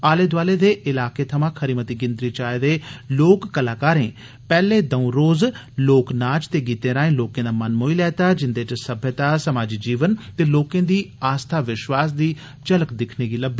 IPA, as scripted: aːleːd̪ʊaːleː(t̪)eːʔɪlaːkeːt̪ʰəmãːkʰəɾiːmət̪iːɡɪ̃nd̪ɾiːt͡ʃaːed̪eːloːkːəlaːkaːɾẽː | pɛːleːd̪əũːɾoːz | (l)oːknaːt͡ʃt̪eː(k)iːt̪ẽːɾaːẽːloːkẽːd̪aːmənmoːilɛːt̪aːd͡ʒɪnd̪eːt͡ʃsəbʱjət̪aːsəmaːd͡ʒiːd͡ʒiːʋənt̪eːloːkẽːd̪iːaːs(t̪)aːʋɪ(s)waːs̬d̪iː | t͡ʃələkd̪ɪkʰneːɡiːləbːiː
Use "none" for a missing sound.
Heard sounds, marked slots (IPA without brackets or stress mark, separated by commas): d̪, l, ɡ, t̪ʰ, ʃ